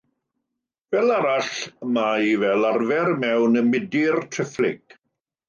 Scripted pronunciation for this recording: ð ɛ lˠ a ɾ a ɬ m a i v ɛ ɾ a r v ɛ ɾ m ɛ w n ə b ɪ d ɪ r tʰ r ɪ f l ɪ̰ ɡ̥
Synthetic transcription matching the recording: v ɛ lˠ a ɾ a ɬ m a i v ɛ l a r v ɛ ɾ m ɛ w n ə m ɪ d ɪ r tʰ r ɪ f l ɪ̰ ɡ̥